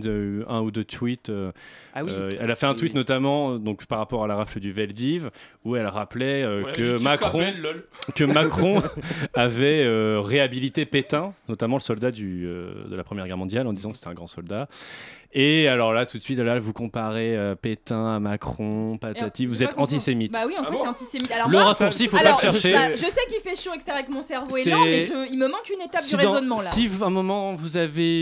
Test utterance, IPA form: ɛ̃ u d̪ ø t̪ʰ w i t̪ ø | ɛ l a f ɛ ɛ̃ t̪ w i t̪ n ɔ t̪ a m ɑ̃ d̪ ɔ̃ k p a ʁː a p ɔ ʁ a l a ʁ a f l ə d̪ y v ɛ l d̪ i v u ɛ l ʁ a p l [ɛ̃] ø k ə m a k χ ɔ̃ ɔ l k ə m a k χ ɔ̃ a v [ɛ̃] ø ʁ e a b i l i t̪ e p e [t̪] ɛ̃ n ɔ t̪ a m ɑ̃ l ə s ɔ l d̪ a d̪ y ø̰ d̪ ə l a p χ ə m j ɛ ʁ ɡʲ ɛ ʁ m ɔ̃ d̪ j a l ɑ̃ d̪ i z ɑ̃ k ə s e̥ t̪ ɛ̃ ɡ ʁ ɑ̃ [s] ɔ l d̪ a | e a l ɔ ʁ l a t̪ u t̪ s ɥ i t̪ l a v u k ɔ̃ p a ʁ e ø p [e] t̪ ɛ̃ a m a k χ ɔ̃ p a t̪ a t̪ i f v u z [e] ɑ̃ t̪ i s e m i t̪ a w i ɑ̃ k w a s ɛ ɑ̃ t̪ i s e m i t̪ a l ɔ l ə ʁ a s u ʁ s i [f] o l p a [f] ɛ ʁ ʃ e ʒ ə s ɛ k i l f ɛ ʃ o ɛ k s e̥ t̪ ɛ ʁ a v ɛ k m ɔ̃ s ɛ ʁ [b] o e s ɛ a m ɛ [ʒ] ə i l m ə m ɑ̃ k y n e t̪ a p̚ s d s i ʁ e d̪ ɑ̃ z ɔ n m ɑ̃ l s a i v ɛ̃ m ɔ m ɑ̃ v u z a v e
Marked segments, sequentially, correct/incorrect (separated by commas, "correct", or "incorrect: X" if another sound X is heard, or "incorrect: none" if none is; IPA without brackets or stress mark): incorrect: ɛ, incorrect: ɛ, correct, correct, correct, incorrect: ɛ, correct, incorrect: ʃ, incorrect: v, correct